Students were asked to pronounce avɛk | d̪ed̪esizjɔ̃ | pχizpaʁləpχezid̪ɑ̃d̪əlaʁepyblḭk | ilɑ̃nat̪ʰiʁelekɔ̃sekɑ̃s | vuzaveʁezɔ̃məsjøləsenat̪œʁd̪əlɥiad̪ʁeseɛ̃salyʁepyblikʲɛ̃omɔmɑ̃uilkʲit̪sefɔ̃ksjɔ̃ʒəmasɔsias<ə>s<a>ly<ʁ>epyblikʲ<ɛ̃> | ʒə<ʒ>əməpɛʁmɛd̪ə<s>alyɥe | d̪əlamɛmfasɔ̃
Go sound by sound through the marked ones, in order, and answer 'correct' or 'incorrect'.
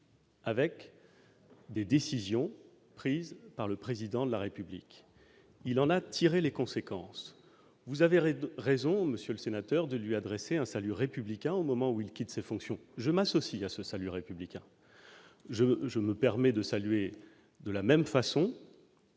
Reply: correct, correct, correct, correct, correct, correct

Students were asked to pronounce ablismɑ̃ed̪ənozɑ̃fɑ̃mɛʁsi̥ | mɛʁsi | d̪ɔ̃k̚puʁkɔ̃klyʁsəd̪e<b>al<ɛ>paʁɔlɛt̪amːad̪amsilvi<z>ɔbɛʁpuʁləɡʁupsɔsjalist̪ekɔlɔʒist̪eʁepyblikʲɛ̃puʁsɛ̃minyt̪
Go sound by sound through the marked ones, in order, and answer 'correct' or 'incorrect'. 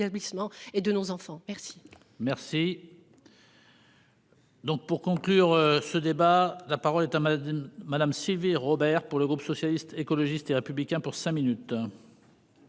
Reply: correct, incorrect: a, incorrect: ʁ

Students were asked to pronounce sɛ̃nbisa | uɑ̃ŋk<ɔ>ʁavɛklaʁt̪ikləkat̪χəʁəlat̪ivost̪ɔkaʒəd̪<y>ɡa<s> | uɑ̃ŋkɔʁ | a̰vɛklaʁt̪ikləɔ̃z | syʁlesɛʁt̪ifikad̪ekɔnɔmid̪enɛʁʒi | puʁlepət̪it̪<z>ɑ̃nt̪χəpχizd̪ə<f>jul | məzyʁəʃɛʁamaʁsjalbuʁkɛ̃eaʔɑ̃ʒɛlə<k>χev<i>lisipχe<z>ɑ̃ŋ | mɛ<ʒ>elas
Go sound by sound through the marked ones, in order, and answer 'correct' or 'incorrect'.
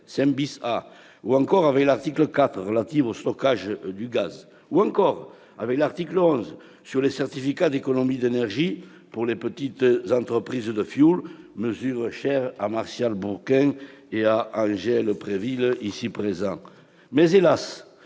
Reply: correct, correct, incorrect: z, correct, correct, incorrect: p, correct, correct, incorrect: z

